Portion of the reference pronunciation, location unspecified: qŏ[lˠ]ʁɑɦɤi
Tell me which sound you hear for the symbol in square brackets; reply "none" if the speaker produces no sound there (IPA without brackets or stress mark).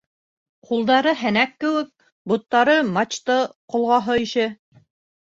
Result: lˠ